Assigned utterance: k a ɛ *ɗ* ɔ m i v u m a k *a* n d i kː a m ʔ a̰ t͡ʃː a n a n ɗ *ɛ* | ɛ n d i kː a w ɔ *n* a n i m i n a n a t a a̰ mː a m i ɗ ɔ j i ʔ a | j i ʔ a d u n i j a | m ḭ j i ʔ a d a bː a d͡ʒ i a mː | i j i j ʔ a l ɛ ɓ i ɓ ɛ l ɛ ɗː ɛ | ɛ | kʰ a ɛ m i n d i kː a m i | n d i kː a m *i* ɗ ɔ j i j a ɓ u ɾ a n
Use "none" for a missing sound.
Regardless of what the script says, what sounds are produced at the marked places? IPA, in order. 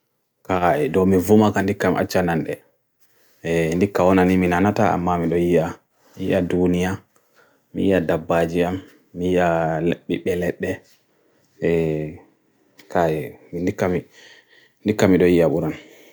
d, a, ɛ, n, i

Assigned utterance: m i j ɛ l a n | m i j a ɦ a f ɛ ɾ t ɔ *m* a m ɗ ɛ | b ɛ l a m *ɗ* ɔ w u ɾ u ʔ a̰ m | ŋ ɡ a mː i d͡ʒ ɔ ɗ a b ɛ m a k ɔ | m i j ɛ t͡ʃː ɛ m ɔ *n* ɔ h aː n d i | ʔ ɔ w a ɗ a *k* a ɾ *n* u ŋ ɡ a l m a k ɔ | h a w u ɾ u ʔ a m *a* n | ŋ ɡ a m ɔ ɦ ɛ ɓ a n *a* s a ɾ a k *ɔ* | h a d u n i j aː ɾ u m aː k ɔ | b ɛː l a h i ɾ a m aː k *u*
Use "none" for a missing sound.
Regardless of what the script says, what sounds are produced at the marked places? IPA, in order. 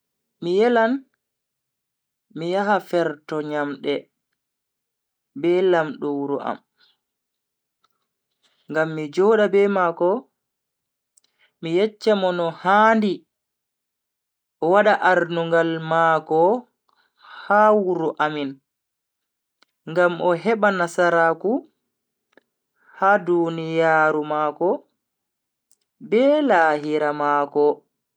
ɲ, ɗ, n, ʔ, n, i, a, u, ɔ

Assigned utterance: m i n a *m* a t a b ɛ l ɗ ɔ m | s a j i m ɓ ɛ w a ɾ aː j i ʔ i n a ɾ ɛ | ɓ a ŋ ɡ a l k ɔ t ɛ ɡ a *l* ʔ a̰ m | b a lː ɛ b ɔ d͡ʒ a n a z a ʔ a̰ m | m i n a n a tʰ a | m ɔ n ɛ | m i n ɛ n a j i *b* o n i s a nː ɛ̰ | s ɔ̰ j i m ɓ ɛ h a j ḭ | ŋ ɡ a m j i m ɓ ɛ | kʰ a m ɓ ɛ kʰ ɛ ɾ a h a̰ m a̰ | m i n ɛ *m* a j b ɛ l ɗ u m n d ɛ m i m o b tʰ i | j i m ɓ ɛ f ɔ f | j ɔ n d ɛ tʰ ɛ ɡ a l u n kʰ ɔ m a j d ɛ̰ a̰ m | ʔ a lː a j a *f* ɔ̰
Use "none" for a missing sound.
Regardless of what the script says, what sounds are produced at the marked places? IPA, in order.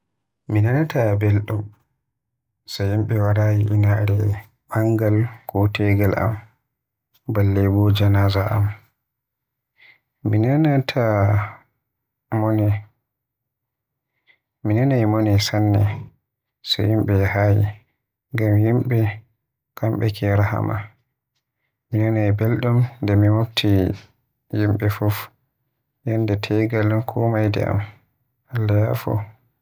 n, l, m, n, f

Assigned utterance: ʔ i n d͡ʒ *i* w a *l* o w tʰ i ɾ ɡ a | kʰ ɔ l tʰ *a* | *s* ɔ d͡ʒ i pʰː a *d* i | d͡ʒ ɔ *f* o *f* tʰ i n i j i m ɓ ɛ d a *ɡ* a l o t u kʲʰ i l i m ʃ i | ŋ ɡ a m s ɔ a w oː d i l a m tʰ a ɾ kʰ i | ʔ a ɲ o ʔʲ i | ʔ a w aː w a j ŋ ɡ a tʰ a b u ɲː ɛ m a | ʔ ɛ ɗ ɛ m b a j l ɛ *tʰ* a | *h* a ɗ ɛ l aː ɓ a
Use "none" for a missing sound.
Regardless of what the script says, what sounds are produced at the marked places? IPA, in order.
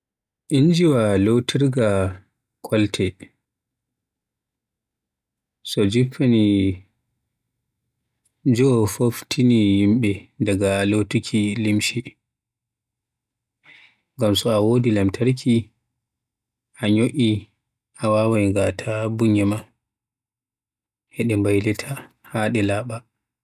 i, l, ɛ, s, n, f, f, ɡ, tʰ, h

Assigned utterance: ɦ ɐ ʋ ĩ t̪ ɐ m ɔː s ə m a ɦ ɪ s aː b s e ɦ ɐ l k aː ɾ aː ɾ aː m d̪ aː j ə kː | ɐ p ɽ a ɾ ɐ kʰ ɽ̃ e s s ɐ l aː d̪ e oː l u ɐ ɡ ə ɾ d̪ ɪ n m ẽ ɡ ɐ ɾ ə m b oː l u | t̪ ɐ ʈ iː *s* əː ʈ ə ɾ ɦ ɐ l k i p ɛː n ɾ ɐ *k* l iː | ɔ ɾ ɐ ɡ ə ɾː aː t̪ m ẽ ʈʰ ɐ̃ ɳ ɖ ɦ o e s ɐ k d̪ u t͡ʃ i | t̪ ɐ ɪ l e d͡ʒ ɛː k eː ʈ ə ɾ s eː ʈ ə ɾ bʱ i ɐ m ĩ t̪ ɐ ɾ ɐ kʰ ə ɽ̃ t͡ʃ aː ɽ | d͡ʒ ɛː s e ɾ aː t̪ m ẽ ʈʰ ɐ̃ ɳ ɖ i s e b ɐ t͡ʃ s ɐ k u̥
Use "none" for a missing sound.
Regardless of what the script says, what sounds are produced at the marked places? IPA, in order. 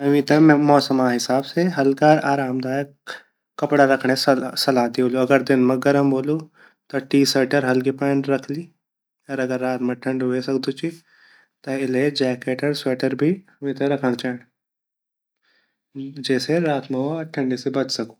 s, kʰ

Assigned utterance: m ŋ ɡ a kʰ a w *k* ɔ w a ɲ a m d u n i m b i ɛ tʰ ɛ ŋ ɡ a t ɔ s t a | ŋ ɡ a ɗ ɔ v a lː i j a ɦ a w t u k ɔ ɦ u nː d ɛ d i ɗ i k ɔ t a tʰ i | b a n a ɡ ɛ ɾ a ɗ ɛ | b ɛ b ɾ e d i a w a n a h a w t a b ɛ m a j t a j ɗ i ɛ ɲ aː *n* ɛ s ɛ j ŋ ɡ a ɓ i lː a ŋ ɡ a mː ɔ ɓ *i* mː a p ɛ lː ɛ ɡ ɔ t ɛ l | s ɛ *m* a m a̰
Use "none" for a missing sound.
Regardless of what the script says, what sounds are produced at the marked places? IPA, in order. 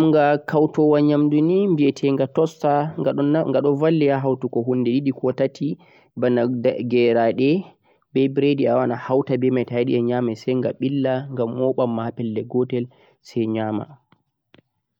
t, m, a, ɲ

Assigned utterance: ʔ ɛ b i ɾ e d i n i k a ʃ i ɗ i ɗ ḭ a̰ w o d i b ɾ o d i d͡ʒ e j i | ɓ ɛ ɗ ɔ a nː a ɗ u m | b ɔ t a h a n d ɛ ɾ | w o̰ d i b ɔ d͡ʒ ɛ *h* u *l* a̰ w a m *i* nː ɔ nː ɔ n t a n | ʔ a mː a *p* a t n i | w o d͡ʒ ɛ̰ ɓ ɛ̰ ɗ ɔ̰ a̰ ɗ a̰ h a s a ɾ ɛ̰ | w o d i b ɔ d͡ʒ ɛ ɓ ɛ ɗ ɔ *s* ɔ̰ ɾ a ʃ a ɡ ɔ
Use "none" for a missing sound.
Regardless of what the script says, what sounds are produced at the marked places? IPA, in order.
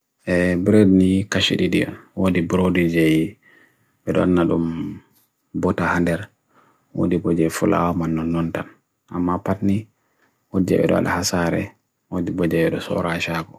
f, l, a, p, s

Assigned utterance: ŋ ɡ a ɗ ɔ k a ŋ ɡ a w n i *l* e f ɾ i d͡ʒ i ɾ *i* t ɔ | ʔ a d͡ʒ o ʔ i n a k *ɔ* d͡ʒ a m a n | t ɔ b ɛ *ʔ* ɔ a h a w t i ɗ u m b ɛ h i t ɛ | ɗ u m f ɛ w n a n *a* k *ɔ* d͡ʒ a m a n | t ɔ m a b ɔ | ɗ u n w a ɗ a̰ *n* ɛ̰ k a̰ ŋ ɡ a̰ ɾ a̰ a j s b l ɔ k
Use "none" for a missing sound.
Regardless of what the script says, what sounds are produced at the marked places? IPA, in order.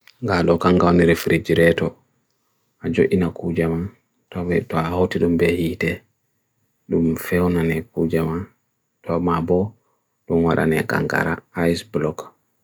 ɾ, ɛ, u, t, ɛ, u, n

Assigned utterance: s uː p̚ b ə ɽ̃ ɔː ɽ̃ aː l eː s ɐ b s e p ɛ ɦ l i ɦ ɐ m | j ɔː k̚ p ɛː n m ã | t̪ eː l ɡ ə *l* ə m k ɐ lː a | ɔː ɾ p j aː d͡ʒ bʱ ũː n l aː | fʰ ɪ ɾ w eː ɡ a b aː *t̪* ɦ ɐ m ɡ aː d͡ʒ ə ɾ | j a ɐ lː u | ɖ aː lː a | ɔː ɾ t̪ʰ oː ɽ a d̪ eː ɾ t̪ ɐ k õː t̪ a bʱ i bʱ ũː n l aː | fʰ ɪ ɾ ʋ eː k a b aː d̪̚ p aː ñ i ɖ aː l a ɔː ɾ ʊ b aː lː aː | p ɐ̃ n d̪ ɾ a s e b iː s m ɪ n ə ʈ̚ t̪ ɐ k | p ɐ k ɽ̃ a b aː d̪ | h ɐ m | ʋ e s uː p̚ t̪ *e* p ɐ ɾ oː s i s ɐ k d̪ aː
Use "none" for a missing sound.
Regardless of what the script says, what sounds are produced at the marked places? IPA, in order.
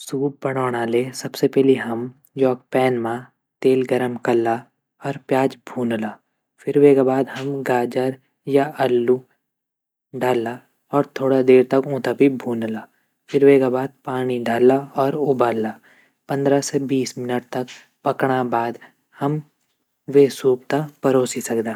ɾ, d̪, a

